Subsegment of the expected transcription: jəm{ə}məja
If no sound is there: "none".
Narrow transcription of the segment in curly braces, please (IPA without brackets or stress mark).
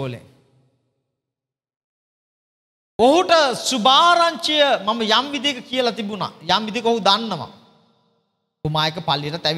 a